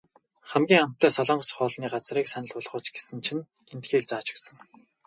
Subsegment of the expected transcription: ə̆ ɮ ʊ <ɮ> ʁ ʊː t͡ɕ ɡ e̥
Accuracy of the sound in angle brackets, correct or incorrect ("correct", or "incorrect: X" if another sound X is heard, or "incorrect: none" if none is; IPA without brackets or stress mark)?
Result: correct